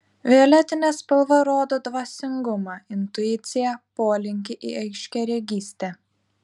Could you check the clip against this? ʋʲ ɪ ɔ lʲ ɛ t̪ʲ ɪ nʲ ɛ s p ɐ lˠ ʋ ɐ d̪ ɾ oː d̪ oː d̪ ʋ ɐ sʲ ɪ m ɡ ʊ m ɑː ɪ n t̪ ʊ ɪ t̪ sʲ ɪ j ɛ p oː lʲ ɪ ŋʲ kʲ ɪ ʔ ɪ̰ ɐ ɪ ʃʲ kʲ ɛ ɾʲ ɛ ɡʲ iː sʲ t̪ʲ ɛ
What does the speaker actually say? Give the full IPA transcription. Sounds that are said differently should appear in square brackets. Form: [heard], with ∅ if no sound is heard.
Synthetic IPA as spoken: ʋʲ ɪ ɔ lʲ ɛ t̪ʲ ɪ nʲ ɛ s p ɐ lˠ ʋ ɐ [∅] ɾ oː d̪ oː d̪ ʋ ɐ sʲ ɪ [ŋ] ɡ ʊ m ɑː ɪ n t̪ ʊ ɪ t̪ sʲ ɪ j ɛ p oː lʲ ɪ ŋʲ kʲ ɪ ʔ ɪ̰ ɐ ɪ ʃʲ kʲ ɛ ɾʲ ɛ ɡʲ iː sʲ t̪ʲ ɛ